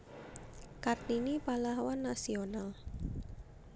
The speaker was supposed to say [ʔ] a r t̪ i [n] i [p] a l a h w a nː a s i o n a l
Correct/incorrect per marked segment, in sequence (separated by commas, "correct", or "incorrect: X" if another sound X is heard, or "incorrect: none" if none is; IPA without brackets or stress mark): incorrect: k, correct, correct